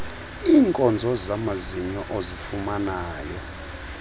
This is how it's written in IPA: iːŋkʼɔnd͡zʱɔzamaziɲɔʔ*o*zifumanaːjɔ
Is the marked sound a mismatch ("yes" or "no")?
no